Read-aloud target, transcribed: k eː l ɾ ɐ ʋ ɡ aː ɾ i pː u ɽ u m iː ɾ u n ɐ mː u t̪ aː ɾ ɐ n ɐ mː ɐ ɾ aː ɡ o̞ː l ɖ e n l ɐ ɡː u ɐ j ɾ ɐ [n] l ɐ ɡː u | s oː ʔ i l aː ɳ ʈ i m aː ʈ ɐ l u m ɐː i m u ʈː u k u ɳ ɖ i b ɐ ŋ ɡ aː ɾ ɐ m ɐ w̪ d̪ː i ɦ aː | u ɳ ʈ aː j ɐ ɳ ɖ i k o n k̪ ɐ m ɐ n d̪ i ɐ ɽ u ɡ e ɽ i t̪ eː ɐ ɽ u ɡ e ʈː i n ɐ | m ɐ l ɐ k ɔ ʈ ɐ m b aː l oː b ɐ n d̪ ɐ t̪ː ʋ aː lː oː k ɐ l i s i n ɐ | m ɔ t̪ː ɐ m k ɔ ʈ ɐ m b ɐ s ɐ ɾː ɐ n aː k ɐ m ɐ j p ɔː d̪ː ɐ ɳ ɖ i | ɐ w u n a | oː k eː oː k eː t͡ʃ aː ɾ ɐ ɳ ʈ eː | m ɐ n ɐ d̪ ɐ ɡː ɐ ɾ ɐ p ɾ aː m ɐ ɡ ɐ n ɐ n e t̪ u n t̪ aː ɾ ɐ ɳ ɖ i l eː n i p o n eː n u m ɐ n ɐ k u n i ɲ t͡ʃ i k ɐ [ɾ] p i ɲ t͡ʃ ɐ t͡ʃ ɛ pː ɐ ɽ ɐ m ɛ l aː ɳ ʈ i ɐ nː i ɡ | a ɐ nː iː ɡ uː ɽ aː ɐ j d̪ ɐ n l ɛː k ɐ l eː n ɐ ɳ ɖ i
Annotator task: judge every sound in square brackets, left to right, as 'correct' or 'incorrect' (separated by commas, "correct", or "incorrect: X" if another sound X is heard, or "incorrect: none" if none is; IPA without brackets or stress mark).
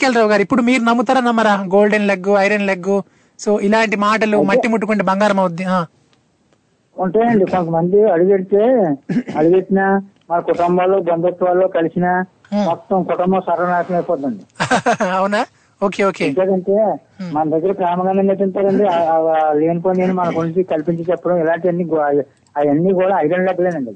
correct, incorrect: l